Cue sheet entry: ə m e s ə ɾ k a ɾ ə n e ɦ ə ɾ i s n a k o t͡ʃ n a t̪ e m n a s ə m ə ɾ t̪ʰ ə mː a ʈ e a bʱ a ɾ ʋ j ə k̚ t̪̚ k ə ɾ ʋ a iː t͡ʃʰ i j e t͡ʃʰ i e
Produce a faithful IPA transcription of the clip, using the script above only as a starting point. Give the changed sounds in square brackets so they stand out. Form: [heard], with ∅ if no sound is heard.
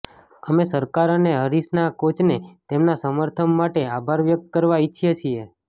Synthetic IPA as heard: ə m e s ə ɾ k a ɾ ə n e ɦ ə ɾ i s n a k o t͡ʃ n [e] t̪ e m n a s ə m ə ɾ t̪ʰ ə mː a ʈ e a bʱ a ɾ ʋ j ə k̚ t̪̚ k ə ɾ ʋ a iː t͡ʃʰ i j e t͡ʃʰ i e